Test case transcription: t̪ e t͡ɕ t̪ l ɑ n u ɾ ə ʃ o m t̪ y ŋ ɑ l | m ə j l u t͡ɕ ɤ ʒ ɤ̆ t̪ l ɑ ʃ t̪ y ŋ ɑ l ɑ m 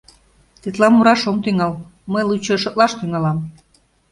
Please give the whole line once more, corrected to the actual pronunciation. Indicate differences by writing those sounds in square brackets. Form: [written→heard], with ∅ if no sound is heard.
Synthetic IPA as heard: t̪ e [t͡ɕ→∅] t̪ l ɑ [n→m] u ɾ [ə→ɑ] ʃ o m t̪ y ŋ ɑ l | m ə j l u t͡ɕ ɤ [ʒ→ʃ] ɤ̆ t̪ l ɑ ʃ t̪ y ŋ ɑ l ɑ m